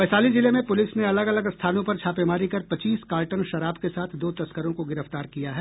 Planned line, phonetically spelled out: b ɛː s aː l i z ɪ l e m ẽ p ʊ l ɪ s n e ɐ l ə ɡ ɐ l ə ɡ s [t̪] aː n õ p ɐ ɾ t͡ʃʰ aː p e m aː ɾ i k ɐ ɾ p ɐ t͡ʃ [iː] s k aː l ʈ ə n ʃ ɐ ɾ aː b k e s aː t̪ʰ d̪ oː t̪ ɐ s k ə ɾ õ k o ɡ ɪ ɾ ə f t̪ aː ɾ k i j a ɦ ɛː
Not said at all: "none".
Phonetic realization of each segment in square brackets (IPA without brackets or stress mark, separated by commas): t̪ʰ, iː